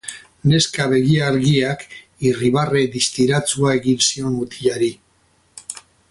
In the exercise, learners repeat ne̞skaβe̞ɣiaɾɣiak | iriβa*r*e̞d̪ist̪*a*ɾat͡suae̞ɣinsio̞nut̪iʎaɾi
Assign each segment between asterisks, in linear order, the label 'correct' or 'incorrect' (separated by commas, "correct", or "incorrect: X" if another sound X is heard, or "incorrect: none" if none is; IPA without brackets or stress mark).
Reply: correct, incorrect: i